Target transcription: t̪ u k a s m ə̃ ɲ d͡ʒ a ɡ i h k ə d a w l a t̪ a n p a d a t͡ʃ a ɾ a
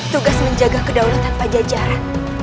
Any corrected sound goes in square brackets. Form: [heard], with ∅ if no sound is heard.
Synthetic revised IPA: t̪ u [ɡ] a s m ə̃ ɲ d͡ʒ a ɡ [a] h k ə d a w l a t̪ a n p a [d͡ʒ] a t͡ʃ a ɾ a